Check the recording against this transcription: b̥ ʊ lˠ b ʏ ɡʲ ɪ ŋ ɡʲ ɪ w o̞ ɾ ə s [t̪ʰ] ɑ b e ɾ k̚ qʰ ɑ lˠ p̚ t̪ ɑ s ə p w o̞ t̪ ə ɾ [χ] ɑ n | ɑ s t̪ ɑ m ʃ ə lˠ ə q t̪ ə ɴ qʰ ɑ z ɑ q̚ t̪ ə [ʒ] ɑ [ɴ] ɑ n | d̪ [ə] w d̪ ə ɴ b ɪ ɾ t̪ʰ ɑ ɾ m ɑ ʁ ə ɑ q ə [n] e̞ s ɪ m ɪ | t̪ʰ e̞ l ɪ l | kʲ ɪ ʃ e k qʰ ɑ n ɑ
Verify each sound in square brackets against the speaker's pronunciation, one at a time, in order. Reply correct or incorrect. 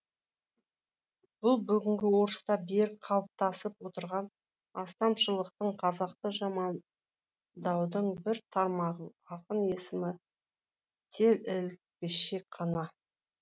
incorrect: t̪, incorrect: ʁ, correct, incorrect: m, incorrect: ɑ, correct

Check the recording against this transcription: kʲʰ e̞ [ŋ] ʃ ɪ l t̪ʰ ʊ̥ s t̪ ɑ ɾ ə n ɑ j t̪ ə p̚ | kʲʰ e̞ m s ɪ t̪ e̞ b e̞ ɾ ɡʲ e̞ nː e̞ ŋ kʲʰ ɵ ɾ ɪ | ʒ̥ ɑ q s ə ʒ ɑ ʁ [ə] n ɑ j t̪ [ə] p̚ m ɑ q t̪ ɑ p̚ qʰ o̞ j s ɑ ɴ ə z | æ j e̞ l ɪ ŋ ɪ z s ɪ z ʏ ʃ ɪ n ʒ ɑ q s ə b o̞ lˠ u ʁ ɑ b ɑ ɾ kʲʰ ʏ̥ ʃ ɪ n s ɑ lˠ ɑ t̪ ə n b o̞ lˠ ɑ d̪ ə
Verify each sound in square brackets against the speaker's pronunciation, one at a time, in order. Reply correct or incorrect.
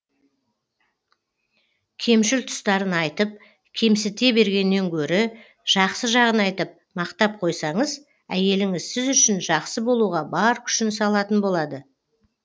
incorrect: m, correct, correct

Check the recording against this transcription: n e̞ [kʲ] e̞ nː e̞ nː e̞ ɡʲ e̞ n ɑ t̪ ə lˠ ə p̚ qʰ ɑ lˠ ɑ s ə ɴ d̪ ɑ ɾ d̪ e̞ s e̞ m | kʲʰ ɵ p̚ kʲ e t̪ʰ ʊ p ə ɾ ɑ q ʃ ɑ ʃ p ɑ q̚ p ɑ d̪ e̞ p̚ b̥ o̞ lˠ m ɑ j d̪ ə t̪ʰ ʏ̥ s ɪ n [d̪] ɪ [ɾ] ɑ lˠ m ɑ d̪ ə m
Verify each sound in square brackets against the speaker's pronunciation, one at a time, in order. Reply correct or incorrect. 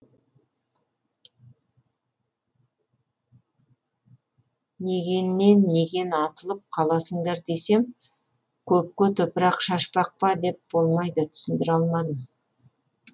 incorrect: ɡʲ, correct, correct

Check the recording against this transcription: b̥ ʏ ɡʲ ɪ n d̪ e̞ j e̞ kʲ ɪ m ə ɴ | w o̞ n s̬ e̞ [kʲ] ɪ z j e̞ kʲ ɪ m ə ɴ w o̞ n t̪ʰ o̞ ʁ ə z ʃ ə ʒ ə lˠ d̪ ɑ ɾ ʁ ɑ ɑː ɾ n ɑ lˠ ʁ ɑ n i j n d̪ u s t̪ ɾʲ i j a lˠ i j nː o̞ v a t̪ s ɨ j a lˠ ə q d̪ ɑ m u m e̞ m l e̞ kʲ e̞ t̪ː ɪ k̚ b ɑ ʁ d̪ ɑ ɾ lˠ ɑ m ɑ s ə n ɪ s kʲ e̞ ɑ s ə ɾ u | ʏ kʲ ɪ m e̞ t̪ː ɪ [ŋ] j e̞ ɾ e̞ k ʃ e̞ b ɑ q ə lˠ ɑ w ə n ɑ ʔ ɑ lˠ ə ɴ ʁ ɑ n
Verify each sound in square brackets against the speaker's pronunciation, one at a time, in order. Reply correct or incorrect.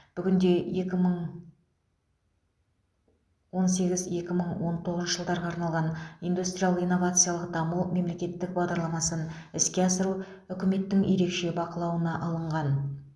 incorrect: ɡʲ, correct

